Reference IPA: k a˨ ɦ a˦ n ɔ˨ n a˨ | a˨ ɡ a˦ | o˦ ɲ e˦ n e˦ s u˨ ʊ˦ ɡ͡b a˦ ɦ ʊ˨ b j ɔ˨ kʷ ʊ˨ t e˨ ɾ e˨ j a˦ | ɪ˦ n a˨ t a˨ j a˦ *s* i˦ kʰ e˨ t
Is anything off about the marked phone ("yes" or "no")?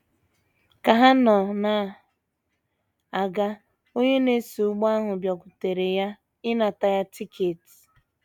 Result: yes